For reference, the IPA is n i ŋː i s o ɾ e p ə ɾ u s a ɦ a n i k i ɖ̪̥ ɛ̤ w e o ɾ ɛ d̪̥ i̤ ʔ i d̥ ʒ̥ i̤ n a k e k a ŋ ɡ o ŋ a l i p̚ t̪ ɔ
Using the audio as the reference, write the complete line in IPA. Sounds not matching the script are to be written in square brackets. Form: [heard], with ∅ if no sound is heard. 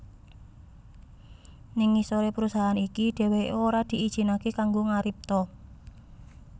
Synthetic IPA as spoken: n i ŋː i s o ɾ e p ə ɾ u s a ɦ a n i k i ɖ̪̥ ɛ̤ w e o ɾ [a] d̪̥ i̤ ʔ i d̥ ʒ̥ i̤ n a k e k a ŋ ɡ o ŋ a [ɾ] i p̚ t̪ ɔ